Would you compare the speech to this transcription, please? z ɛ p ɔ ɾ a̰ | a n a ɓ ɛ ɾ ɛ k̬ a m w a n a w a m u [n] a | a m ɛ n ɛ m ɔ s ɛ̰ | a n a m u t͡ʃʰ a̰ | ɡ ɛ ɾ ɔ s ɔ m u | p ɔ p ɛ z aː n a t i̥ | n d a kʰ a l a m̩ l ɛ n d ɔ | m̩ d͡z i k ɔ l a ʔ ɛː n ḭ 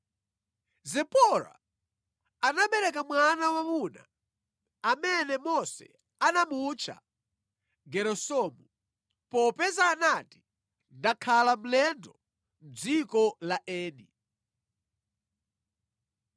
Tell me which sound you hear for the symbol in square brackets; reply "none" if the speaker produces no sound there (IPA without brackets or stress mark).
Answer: n